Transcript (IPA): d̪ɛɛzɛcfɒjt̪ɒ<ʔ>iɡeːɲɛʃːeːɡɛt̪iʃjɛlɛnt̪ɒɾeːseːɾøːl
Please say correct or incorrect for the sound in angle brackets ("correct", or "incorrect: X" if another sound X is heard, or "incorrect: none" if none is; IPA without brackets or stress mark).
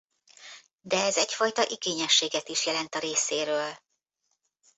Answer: correct